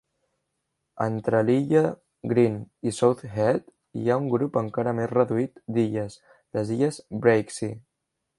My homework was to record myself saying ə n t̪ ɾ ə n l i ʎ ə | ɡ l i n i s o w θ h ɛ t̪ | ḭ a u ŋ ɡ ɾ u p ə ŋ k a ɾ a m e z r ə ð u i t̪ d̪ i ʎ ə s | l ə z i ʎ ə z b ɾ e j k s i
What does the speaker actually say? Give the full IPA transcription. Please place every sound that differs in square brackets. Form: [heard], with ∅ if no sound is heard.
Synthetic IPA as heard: ə n t̪ ɾ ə [∅] l i ʎ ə | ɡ [ɾ] i n i s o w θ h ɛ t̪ | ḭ a u ŋ ɡ ɾ u p ə ŋ k a ɾ [ə] m e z r ə ð u i t̪ d̪ i ʎ ə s | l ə z i ʎ ə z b ɾ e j k s i